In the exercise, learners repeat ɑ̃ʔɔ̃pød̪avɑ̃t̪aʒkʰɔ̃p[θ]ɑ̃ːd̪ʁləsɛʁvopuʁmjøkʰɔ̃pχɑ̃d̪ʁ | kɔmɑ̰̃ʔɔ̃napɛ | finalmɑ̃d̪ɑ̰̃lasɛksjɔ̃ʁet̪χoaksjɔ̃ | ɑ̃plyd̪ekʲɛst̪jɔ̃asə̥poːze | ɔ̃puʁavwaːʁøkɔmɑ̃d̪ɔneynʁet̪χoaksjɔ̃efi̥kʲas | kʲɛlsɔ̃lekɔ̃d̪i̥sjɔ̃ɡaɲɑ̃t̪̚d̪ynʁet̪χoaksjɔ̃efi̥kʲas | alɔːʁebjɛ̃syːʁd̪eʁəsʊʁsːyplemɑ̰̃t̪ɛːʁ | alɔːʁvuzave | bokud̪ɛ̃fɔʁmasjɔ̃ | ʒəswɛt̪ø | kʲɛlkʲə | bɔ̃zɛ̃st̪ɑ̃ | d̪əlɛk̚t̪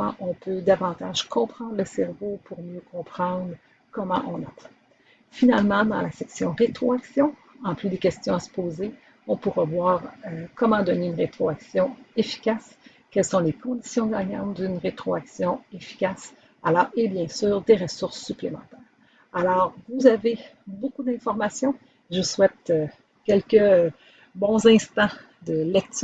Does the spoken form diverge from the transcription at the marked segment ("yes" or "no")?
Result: yes